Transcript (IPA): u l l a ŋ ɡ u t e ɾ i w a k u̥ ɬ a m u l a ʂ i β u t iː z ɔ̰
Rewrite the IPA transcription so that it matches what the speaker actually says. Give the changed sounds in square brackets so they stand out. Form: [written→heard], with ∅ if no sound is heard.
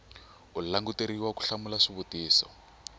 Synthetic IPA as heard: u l l a ŋ ɡ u t e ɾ i w a k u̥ ɬ a m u l a ʂ i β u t iː [z→s] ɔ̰